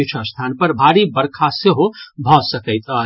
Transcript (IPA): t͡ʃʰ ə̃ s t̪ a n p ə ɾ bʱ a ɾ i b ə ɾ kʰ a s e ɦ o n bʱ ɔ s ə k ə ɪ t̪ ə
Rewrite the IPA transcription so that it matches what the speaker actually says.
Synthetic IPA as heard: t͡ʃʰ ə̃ s t̪ʰ a n p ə ɾ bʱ a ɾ i b ə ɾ kʰ a s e ɦ o bʱ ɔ s ə k ə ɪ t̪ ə